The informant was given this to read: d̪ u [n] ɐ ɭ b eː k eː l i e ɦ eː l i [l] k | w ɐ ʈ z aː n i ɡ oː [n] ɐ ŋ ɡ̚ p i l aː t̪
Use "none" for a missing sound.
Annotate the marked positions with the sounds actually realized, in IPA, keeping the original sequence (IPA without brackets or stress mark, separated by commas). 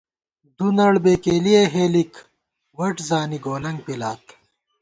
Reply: n, none, n